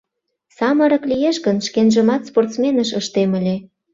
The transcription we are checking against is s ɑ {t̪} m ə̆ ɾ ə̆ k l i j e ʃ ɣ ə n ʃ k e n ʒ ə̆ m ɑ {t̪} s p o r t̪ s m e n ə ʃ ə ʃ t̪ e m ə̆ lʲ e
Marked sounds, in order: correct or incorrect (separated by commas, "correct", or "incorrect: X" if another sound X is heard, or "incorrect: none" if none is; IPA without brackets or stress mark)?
incorrect: none, correct